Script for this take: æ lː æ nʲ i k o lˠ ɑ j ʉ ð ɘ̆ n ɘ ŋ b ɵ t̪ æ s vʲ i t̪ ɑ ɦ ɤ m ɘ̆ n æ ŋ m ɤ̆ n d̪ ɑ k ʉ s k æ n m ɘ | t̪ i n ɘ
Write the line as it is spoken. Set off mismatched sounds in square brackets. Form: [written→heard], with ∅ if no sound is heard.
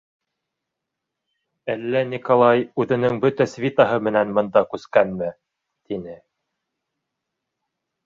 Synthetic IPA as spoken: æ lː æ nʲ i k o lˠ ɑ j ʉ ð ɘ̆ n ɘ ŋ b ɵ t̪ æ s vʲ i t̪ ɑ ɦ ɤ m ɘ̆ n æ [ŋ→n] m ɤ̆ n d̪ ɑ k ʉ s k æ n m ɘ | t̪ i n ɘ